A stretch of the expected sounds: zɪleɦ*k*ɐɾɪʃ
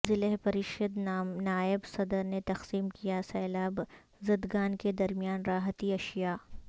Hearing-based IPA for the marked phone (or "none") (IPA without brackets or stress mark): p